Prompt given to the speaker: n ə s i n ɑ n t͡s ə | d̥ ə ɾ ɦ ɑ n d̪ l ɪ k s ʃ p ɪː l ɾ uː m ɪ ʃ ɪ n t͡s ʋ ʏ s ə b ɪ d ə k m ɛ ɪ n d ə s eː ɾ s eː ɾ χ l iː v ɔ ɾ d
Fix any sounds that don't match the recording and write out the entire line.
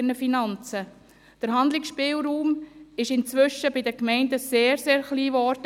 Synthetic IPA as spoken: n ə f i n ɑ n t͡s ə | d̥ ə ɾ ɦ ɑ n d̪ l ɪ k s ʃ p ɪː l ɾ uː m ɪ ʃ ɪ n t͡s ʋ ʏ ʃ ə b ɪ d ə k m ɛ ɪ n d ə s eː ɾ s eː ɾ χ l iː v ɔ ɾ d